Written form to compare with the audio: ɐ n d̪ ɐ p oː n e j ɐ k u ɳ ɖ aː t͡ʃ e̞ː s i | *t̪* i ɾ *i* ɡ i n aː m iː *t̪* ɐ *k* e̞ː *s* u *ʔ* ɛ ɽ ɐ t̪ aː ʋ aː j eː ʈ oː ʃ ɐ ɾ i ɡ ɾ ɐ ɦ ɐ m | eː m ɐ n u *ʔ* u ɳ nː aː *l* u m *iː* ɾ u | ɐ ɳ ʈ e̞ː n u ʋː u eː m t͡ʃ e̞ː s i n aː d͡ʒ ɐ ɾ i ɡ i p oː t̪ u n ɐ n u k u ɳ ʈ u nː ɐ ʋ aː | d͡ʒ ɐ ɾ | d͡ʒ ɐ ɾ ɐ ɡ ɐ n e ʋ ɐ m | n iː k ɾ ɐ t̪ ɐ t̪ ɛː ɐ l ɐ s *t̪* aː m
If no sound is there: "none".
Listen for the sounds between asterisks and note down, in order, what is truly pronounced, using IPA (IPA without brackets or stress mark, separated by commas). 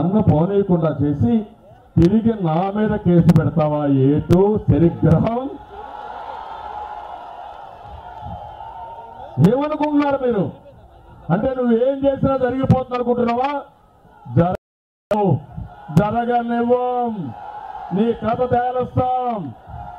t̪, i, d̪, k, s, p, k, ɾ, iː, t̪